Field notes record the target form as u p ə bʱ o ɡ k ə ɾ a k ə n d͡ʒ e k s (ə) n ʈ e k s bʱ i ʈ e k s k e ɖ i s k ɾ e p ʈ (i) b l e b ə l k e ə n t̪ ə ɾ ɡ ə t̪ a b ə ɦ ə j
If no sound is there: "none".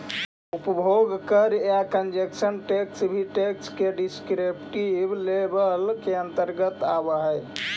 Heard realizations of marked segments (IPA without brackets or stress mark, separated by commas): ə, i